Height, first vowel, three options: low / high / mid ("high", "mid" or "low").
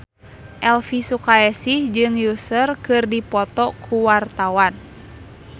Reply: mid